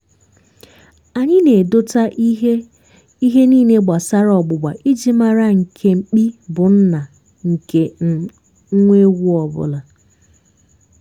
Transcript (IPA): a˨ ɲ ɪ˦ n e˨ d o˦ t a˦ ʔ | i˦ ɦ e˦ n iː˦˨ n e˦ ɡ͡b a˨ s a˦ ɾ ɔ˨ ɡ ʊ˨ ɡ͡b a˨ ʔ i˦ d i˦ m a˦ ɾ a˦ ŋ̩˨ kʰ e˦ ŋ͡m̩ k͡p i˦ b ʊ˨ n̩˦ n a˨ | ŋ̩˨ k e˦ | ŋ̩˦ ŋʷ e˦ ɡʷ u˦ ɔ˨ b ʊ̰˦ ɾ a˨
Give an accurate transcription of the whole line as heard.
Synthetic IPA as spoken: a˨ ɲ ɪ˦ n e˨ d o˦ t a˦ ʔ | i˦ ɦ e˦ n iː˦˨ n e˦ ɡ͡b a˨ s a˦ ɾ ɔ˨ ɡ͡b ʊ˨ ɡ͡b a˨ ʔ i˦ d͡ʒ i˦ m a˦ ɾ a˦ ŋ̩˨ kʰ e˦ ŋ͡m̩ k͡p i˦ b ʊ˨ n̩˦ n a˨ | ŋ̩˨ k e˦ | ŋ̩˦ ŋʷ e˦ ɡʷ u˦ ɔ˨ b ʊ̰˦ l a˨